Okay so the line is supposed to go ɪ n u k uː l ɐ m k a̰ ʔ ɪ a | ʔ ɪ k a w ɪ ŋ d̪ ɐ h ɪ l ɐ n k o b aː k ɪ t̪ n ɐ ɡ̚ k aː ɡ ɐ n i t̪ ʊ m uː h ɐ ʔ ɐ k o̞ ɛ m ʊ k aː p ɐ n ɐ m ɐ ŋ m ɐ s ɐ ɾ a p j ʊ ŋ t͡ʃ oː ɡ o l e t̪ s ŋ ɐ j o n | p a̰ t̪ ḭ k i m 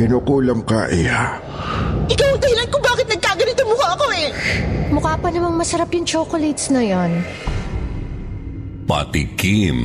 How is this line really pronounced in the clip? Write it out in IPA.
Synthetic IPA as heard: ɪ n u k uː l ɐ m k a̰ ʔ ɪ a | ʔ ɪ k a w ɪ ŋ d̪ ɐ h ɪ l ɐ n k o b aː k ɪ t̪ n ɐ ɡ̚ k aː ɡ ɐ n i t̪ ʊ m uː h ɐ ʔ ɐ k o̞ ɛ m ʊ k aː p ɐ n ɐ m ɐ ŋ m ɐ s ɐ ɾ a p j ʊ ŋ t͡ʃ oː k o l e t̪ s n ɐ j o n | p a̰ t̪ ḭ k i m